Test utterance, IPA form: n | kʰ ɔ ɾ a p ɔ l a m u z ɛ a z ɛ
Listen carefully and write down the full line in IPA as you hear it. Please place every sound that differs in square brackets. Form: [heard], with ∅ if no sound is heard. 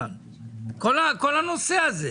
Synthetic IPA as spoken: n | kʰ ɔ [l] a [k] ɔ l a [n] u [s] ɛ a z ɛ